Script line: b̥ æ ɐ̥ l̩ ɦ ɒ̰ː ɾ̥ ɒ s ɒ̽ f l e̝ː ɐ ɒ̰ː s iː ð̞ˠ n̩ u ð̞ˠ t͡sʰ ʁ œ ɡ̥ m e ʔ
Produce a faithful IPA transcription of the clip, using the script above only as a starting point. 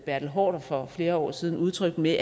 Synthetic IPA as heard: b̥ æ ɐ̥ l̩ ɦ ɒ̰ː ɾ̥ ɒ f ɒ̽ f l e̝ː ɐ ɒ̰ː s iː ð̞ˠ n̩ u ð̞ˠ t͡sʰ ʁ œ ɡ̥ m e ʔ